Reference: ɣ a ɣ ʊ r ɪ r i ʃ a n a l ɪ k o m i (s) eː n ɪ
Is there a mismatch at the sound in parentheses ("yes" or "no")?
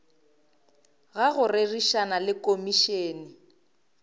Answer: yes